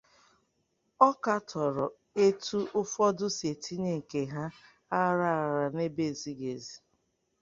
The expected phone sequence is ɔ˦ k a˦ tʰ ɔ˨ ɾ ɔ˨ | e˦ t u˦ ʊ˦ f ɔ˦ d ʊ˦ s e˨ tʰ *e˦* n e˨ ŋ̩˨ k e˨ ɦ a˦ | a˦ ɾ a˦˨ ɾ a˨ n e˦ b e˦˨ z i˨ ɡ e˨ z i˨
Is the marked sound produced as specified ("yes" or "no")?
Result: no